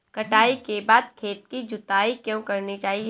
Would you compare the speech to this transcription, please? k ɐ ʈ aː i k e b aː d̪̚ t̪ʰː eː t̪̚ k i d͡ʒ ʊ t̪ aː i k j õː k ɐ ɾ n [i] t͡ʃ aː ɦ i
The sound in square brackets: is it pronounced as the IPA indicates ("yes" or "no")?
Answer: yes